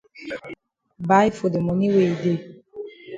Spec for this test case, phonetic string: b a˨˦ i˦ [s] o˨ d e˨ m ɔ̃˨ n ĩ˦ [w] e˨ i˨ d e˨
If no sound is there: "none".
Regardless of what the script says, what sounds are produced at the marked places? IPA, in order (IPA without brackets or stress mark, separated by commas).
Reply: f, w